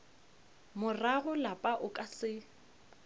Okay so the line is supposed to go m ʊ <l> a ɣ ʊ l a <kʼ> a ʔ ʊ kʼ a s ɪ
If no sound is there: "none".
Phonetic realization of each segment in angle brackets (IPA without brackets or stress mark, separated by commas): r, pʼ